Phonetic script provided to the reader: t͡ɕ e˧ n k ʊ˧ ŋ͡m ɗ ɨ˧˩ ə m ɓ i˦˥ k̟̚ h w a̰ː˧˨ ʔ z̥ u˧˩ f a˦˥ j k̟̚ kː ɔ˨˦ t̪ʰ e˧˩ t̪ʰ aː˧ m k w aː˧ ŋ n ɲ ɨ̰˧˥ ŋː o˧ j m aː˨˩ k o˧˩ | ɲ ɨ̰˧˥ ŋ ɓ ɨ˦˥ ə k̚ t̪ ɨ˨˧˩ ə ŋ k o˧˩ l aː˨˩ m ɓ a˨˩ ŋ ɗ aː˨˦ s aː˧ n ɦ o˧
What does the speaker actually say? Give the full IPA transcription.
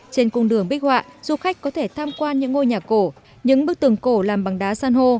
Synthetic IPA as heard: t͡ɕ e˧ n k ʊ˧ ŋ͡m ɗ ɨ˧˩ ə ŋ ɓ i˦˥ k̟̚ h w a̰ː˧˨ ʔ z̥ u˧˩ x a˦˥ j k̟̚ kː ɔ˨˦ t̪ʰ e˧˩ t̪ʰ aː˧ m k w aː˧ n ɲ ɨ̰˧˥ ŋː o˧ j ɲ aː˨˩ k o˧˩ | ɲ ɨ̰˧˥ ŋ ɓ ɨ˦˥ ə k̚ t̪ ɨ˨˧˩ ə ŋ k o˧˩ l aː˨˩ m ɓ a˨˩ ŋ ɗ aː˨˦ s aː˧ n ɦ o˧